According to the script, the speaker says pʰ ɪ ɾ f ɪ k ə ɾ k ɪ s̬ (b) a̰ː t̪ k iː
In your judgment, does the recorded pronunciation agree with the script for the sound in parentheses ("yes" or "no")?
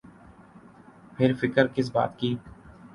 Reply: yes